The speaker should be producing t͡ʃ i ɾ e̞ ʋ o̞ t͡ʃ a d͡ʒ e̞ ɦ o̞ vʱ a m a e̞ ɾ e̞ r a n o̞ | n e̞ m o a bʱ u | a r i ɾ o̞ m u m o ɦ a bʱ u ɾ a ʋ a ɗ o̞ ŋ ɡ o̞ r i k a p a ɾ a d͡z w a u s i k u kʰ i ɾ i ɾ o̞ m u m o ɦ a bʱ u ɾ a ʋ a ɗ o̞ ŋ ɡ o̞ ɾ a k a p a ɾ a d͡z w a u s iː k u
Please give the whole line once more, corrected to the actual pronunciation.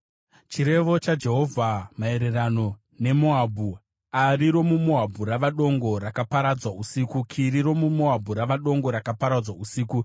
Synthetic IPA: t͡ʃ i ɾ e̞ ʋ o̞ t͡ʃ a d͡ʒ e̞ ɦ o̞ vʱ a m a e̞ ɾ e̞ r a n o̞ | n e̞ m o a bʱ u | a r i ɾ o̞ m u m o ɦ a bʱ u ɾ a ʋ a ɗ o̞ ŋ ɡ o̞ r a k a p a ɾ a d͡z w a u s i k u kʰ i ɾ i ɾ o̞ m u m o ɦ a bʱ u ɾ a ʋ a ɗ o̞ ŋ ɡ o̞ ɾ a k a p a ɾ a d͡z w a u s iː k u

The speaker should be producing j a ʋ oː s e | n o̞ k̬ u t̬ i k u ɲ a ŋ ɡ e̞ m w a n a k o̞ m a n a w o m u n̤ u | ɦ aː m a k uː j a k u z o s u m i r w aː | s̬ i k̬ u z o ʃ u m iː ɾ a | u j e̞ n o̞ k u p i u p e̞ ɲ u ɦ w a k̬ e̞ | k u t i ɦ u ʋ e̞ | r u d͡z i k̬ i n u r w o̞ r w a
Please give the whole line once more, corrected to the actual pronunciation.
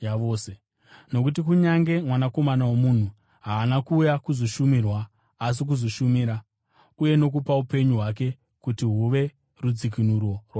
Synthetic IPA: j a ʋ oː s e | n o̞ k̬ u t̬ i k u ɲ a ŋ ɡ e̞ m w a n a k o̞ m a n a w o m u n̤ u | ɦ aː n a k uː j a k u z o ʃ u m i r w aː | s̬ i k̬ u z o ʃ u m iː ɾ a | u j e̞ n o̞ k u p a u p e̞ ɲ u ɦ w a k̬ e̞ | k u t i ɦ u ʋ e̞ | r u d͡z i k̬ i n u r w o̞ r w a

